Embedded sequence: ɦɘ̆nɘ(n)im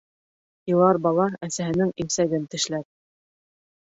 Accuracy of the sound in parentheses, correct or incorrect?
incorrect